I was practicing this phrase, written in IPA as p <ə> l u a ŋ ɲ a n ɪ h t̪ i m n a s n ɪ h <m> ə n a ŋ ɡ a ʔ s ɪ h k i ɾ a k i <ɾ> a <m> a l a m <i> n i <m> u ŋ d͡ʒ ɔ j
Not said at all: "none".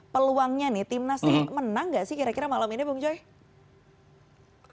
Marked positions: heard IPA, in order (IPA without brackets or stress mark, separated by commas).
ə, m, ɾ, m, i, b